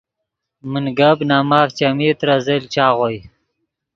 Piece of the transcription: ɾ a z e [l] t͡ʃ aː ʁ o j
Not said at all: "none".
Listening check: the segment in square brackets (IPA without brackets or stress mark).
l